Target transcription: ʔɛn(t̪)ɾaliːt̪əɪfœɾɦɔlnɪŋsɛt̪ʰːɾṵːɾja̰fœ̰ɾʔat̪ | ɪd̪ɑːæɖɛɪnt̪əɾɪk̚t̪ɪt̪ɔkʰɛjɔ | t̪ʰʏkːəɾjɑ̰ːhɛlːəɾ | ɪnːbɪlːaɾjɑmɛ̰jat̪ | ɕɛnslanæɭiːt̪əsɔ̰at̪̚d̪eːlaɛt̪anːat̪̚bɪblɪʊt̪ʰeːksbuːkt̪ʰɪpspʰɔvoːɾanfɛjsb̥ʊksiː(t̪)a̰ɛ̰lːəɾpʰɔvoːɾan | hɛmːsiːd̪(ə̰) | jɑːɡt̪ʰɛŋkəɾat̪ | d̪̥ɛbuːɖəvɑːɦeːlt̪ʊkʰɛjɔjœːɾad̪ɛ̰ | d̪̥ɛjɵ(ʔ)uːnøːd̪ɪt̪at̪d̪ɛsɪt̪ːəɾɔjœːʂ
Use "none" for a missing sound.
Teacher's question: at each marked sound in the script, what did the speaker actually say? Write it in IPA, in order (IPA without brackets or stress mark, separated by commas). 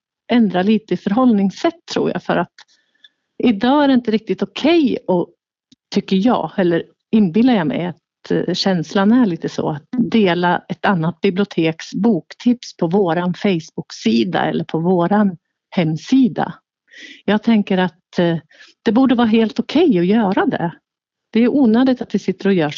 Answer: d̪, d̪, a̰, ʔ